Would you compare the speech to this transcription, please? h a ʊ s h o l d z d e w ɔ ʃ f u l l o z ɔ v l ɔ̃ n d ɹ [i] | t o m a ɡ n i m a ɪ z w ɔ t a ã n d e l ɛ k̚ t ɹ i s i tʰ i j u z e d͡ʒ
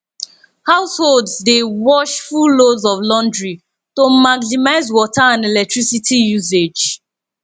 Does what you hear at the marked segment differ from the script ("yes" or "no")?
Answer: no